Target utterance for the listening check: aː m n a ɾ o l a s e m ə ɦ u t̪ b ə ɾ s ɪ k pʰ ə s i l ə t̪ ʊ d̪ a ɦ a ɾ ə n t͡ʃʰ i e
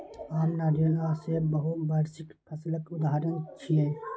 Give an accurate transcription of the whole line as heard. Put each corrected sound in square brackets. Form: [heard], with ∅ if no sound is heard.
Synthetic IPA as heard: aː m n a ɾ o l a s e [b] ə ɦ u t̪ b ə ɾ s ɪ k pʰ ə s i l ə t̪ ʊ d̪ a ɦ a ɾ ə n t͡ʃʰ i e